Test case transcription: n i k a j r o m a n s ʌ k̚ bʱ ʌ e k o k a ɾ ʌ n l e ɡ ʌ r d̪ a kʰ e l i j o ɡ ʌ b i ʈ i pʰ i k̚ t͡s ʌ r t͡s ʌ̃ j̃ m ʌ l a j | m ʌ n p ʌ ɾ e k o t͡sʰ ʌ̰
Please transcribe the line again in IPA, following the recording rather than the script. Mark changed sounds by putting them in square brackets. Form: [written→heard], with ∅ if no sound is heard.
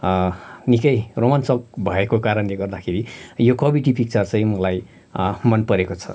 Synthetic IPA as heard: n i k [a→ʌ] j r o m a n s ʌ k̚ bʱ ʌ e k o k a ɾ ʌ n l e ɡ ʌ r d̪ a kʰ e [l→ɾ] i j o [ɡ→k] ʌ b i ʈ i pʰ i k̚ t͡s ʌ r t͡s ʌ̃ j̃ m ʌ l a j | m ʌ n p ʌ ɾ e k o t͡sʰ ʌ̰